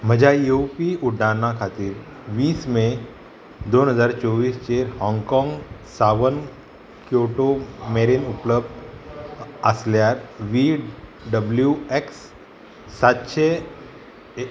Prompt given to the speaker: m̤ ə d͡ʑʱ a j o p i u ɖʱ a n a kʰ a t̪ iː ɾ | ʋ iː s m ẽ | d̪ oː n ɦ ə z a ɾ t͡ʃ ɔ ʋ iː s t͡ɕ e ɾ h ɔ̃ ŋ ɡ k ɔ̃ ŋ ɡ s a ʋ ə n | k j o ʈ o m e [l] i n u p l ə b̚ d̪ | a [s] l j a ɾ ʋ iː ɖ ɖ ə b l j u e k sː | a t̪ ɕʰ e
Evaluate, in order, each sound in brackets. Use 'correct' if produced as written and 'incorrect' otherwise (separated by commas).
incorrect, correct